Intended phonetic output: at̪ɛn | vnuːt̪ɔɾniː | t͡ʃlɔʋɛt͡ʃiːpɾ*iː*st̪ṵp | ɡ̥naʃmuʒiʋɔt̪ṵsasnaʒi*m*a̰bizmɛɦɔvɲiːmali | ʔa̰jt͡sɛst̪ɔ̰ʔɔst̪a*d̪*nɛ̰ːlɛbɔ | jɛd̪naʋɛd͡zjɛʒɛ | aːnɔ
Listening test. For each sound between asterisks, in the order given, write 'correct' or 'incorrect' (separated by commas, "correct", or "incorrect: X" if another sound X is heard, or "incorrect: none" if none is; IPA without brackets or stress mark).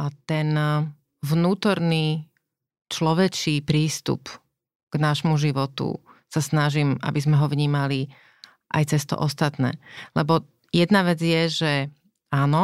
correct, correct, incorrect: t̪